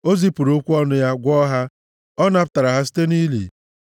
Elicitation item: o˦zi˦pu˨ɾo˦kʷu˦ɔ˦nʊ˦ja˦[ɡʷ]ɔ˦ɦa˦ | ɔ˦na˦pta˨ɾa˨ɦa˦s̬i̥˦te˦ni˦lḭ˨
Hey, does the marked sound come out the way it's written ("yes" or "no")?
yes